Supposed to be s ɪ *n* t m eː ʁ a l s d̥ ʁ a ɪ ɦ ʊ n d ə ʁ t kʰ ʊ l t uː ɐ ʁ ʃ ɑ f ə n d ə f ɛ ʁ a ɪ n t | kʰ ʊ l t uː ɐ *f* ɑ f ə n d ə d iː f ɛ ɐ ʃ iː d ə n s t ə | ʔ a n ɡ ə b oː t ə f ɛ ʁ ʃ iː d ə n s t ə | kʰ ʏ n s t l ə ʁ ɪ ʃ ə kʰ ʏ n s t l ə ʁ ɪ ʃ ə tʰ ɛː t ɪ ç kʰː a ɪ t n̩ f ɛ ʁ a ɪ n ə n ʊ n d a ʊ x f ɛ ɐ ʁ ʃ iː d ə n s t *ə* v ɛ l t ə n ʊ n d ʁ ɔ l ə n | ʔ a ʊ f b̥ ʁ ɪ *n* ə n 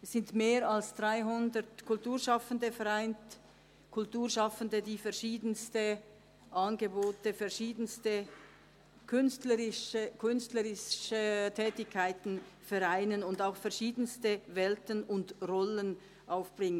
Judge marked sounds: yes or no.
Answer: yes, no, yes, no

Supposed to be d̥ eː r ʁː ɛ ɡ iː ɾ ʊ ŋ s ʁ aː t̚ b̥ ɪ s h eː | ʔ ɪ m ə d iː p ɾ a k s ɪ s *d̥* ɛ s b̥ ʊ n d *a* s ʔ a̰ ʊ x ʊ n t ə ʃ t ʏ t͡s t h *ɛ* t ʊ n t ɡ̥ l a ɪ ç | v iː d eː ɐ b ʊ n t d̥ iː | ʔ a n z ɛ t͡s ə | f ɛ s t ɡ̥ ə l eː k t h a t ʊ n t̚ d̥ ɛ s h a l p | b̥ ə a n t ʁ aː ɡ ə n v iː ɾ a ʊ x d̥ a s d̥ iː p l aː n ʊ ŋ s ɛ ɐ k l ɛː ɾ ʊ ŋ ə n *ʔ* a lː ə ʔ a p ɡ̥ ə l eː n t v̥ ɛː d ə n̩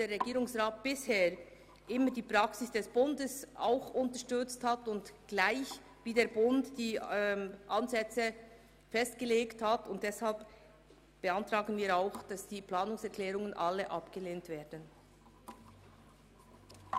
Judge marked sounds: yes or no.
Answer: yes, no, no, yes

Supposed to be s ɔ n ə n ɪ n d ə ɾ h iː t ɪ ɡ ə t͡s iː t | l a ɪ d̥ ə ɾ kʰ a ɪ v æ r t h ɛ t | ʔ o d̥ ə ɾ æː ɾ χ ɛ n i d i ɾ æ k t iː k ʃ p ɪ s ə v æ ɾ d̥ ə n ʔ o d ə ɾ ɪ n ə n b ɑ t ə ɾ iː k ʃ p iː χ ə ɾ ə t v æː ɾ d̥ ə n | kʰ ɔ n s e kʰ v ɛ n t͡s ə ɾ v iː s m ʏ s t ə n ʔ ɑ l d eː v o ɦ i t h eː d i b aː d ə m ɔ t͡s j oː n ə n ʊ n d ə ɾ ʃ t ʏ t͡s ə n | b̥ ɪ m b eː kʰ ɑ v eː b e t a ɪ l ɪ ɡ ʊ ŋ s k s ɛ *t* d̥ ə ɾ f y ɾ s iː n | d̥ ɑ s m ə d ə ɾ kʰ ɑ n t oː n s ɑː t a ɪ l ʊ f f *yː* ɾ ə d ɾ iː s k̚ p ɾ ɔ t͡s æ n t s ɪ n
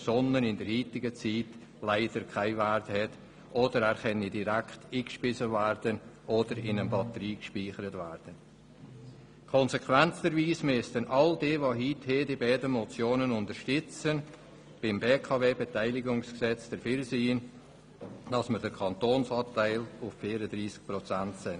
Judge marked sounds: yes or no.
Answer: no, no

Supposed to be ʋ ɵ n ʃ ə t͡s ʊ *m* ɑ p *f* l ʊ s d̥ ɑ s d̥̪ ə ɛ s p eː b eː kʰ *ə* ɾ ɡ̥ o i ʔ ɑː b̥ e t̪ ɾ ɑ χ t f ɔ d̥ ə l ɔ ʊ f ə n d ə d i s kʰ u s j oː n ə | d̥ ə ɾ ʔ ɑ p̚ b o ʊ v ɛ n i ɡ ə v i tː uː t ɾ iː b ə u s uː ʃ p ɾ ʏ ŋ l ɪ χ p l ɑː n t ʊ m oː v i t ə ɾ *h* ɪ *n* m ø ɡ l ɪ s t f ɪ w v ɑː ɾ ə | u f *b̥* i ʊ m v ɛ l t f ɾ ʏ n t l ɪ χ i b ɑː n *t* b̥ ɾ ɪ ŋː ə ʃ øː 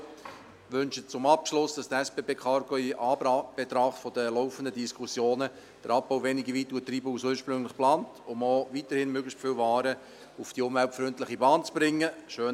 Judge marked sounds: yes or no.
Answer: yes, no, no, yes, yes, no, no

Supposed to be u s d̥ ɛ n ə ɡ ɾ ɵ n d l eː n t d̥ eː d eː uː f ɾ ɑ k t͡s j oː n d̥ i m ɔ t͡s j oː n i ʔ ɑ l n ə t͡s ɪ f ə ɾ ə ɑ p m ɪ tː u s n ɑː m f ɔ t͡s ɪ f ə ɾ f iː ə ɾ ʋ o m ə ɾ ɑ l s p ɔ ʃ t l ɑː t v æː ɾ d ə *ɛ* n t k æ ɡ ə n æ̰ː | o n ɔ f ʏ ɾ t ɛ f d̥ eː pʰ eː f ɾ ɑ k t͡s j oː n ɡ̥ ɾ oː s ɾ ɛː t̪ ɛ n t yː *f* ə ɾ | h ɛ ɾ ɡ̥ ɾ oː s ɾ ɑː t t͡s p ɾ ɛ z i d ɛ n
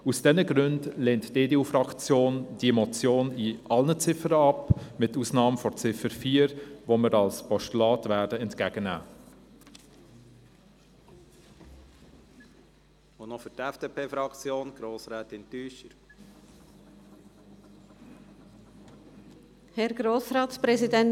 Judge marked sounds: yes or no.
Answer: yes, no

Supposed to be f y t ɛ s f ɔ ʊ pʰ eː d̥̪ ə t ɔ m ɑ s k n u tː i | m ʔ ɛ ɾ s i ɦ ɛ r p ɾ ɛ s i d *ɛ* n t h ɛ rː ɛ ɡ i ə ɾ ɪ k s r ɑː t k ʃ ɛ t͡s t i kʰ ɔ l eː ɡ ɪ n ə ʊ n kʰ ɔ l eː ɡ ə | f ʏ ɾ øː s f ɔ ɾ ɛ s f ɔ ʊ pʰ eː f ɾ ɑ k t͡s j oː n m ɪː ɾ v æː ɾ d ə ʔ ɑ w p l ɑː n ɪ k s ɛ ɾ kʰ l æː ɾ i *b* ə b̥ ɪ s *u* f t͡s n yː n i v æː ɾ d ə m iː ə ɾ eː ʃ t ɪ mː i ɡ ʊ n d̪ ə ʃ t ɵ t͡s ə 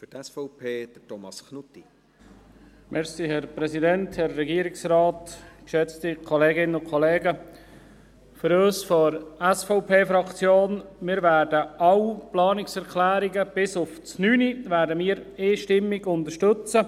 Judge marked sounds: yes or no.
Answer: yes, no, no

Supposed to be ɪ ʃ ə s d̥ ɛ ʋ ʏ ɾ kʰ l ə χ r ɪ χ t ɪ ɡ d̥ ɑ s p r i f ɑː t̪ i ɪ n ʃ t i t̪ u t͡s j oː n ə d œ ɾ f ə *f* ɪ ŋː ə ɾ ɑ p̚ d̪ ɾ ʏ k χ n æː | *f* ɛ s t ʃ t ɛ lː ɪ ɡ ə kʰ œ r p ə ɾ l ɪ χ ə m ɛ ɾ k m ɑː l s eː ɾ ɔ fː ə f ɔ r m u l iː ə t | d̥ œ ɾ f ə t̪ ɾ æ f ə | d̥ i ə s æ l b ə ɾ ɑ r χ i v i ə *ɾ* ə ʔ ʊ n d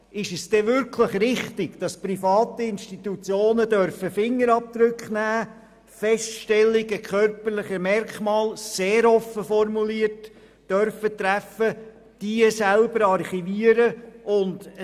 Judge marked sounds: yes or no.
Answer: yes, yes, yes

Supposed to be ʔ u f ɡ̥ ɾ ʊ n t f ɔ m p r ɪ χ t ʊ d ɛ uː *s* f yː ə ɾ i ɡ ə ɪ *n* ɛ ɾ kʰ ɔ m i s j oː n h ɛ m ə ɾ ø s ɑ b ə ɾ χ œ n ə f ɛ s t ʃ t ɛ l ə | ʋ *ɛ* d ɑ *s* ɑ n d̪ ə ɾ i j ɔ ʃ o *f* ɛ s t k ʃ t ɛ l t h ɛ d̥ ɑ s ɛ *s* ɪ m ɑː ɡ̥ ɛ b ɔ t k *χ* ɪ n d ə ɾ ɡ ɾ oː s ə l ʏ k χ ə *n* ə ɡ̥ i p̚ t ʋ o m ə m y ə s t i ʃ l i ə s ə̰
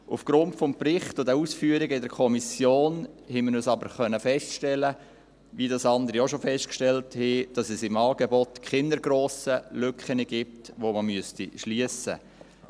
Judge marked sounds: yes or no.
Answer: yes, no, no, yes, yes, yes, yes, yes

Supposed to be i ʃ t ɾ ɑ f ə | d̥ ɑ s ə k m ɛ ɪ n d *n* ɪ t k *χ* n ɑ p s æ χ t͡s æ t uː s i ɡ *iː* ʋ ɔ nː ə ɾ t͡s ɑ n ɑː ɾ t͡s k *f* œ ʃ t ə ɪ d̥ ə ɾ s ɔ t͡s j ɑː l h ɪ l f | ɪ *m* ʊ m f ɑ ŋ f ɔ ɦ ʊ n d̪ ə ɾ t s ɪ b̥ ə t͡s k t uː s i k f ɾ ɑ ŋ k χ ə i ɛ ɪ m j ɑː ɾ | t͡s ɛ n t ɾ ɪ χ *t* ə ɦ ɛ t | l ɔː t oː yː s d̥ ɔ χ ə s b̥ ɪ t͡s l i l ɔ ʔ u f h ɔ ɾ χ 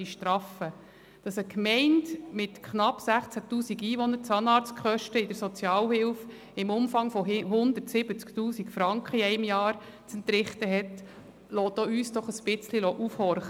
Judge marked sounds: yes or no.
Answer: no, yes, yes, no, yes, yes

